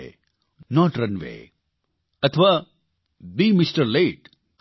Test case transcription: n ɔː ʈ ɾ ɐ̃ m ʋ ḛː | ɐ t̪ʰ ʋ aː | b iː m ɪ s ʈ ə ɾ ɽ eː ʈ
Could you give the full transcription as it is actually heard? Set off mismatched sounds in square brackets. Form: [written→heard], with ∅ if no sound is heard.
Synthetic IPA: n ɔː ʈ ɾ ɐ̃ [m→n] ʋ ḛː | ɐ t̪ʰ ʋ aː | b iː m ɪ s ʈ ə ɾ [ɽ→l] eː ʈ